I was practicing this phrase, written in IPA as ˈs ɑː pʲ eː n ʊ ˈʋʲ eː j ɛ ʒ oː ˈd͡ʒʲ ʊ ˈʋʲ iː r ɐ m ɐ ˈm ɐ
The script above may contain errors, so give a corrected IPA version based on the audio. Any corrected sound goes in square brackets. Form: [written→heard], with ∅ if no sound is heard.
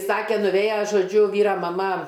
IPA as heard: ˈs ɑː [pʲ→kʲ] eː n ʊ ˈʋʲ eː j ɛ ʒ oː ˈd͡ʒʲ ʊ ˈʋʲ iː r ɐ m ɐ ˈm ɐ